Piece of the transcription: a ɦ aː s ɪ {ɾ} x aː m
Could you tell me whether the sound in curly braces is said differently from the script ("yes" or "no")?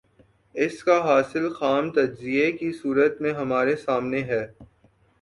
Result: yes